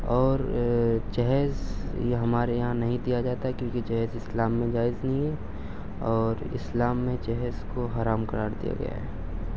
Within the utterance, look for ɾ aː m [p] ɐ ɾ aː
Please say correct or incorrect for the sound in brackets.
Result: incorrect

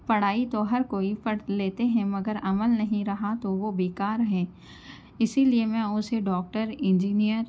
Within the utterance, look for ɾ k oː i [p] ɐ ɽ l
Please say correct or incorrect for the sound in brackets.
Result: correct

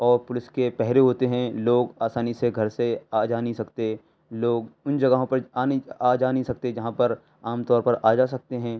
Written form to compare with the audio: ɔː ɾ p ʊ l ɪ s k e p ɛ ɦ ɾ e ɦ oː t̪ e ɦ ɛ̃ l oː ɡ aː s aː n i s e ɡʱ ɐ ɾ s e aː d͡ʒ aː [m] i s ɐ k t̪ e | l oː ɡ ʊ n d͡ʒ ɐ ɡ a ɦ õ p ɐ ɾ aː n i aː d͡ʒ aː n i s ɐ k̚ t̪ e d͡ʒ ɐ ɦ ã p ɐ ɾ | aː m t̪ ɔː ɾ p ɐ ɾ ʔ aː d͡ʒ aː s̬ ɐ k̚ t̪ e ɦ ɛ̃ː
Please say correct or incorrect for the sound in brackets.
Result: incorrect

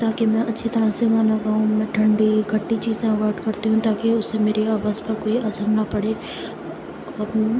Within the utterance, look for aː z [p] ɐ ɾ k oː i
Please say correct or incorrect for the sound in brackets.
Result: correct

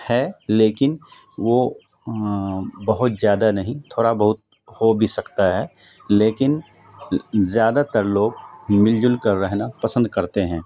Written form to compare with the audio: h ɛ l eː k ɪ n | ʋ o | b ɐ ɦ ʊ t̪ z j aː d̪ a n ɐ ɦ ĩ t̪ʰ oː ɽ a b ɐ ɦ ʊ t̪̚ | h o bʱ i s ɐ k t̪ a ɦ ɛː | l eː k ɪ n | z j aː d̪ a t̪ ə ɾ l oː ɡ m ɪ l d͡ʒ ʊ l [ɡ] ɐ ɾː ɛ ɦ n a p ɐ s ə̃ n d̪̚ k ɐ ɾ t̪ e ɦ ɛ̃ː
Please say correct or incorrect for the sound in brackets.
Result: incorrect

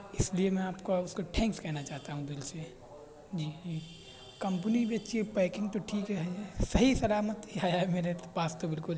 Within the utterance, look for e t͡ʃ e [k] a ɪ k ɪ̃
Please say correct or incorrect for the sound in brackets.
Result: incorrect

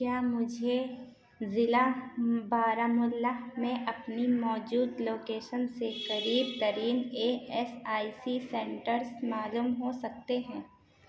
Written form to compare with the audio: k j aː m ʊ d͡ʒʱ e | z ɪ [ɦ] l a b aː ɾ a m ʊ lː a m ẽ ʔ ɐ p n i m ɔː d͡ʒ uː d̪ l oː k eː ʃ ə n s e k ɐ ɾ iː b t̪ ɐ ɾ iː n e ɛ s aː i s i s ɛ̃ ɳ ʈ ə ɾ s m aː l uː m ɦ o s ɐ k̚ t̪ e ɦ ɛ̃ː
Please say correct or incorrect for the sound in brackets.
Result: incorrect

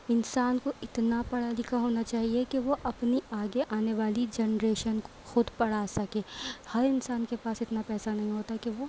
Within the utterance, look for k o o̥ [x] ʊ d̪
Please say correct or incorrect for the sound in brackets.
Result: correct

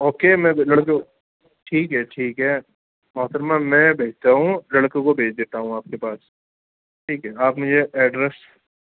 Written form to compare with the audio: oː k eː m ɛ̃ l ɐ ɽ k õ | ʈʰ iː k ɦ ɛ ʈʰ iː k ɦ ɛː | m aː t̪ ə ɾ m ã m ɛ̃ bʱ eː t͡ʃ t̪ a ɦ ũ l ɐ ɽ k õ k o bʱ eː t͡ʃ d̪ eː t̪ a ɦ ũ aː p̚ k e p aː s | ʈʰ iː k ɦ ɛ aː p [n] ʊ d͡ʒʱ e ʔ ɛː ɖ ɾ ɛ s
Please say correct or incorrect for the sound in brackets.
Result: incorrect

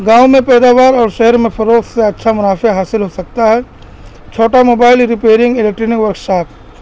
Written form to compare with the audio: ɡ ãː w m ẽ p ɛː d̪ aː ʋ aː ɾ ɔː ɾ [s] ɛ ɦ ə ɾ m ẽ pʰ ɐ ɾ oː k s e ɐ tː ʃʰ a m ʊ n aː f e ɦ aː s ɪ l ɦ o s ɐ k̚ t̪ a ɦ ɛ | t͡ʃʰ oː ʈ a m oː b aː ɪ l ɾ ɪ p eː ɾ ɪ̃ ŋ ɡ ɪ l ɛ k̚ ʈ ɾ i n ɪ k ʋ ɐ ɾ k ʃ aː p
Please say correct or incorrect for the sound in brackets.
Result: incorrect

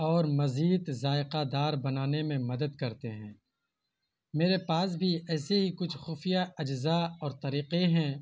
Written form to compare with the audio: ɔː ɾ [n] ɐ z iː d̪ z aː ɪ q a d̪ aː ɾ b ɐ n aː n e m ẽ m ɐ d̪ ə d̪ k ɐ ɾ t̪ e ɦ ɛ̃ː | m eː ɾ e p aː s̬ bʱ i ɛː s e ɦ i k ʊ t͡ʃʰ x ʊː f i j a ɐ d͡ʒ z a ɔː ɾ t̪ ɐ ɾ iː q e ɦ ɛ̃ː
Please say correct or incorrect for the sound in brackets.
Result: incorrect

